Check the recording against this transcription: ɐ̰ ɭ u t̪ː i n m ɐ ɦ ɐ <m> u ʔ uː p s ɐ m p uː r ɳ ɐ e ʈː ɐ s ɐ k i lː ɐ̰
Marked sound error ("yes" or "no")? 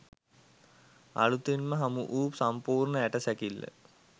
no